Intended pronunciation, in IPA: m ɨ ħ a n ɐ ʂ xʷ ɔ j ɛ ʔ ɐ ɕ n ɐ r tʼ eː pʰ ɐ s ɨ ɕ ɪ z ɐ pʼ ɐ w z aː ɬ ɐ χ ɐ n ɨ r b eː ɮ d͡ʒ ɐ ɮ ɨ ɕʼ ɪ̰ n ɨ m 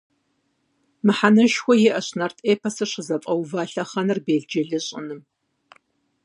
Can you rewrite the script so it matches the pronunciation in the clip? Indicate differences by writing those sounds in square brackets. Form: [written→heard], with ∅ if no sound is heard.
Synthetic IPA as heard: m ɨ ħ a n ɐ [ʂ→ʃ] xʷ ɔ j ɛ ʔ ɐ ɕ n ɐ r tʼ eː pʰ ɐ s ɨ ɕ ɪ z ɐ pʼ ɐ w [z→v] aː ɬ ɐ χ ɐ n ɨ r b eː ɮ d͡ʒ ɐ ɮ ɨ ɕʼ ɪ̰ n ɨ m